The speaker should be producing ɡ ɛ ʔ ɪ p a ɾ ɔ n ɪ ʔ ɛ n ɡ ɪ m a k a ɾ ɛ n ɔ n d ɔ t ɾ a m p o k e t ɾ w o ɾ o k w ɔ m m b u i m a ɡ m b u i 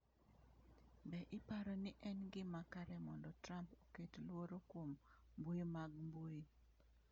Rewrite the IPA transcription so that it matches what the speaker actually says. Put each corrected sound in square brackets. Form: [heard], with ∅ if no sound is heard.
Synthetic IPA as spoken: [b] ɛ ʔ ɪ p a ɾ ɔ n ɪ ʔ ɛ n ɡ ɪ m a k a ɾ ɛ [m] ɔ n d ɔ t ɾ a m p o k e t [l] w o ɾ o k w [o] m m b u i m a ɡ m b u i